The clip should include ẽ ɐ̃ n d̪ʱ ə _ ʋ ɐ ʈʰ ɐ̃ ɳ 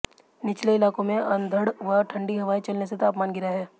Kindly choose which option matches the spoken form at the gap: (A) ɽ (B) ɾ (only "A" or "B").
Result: A